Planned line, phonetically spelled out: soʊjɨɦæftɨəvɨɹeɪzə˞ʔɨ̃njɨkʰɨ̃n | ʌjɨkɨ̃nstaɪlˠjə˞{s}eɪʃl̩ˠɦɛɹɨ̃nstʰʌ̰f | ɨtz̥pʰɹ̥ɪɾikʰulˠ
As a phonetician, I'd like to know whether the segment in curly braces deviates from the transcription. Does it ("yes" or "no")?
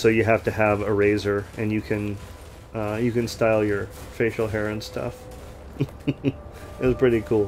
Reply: yes